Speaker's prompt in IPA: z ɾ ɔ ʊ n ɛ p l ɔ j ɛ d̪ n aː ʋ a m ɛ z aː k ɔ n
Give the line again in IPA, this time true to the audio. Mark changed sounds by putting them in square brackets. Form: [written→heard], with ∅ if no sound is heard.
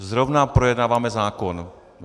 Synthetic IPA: z ɾ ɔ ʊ n [ɛ→a] p [l→ɾ] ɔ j ɛ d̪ n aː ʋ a m ɛ z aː k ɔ n